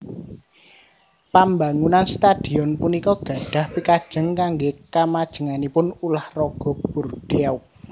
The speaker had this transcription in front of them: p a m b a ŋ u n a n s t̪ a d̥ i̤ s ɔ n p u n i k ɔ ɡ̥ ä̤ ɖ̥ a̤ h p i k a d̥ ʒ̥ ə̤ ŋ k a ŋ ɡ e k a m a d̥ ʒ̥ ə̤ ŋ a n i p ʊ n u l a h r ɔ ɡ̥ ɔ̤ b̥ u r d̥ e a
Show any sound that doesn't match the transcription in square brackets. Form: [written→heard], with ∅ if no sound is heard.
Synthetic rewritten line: p a m b a ŋ u n a n s t̪ a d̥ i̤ [s→∅] ɔ n p u n i k ɔ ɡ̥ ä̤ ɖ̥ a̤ h p i k a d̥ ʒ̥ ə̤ ŋ k a ŋ ɡ e k a m a d̥ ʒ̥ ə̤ ŋ a n i p ʊ n u l a h r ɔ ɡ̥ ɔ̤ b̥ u r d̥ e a